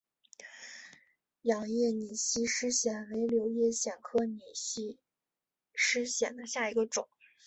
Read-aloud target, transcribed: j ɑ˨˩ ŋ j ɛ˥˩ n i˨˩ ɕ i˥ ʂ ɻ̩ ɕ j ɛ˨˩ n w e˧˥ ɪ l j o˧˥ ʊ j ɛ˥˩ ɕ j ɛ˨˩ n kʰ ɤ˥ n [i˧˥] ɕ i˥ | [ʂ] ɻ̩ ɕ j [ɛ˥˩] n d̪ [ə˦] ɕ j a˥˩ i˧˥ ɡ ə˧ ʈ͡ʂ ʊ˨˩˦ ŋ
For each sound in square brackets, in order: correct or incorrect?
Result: incorrect, correct, incorrect, correct

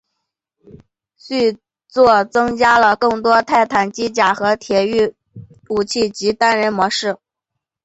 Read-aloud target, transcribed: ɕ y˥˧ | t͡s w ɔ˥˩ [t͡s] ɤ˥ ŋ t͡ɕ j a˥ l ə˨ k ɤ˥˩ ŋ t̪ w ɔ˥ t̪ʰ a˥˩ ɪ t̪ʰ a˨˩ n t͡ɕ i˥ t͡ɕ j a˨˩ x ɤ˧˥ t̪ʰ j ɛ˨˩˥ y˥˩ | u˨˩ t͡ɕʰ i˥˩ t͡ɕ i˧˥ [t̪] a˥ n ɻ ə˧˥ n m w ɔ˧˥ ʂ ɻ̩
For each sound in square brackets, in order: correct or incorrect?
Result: correct, correct

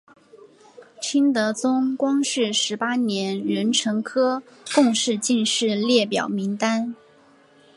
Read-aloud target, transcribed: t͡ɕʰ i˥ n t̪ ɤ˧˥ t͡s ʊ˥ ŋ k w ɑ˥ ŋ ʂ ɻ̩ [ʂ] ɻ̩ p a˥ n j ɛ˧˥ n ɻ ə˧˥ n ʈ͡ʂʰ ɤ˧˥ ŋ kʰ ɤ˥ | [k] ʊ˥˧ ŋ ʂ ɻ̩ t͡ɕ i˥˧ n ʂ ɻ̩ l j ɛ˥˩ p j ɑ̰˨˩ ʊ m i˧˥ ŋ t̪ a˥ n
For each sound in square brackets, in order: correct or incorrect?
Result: correct, correct

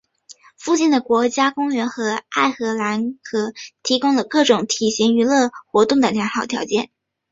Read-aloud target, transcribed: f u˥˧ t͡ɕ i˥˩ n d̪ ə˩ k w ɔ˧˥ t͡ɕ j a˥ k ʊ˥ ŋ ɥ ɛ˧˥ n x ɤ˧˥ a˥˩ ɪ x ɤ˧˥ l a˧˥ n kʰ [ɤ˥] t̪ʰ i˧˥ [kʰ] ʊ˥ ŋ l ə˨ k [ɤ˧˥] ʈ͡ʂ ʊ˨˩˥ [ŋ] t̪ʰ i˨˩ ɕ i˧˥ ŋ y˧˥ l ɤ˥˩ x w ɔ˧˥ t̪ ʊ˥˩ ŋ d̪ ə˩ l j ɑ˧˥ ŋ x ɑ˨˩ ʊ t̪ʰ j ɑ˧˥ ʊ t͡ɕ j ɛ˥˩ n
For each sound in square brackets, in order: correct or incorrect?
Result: incorrect, incorrect, incorrect, correct

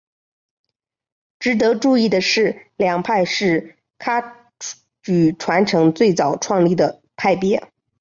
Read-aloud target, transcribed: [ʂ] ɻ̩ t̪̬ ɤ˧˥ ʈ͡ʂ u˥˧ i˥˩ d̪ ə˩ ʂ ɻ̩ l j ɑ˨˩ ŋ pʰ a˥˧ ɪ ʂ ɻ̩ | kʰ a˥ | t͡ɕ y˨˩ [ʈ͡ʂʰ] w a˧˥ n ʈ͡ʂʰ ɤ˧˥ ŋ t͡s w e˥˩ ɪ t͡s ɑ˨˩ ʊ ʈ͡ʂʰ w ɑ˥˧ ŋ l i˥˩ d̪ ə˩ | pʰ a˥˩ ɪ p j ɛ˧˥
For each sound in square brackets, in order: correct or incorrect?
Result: incorrect, correct

